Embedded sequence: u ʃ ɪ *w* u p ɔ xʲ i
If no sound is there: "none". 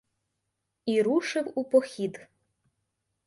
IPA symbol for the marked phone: w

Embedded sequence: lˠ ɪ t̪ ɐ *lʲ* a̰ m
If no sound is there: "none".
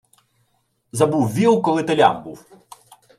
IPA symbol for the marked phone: lʲ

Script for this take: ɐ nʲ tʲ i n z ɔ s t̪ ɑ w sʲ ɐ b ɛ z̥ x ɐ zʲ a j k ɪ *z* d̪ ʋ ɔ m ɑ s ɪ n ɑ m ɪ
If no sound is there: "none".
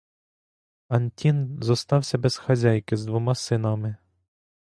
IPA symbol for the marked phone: z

